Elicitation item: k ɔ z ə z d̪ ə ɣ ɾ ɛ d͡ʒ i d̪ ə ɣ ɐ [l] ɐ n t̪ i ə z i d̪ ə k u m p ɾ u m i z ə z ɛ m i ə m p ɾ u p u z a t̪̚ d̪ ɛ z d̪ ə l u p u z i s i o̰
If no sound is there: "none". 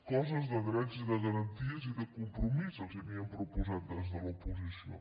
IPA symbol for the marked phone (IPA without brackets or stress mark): ɾ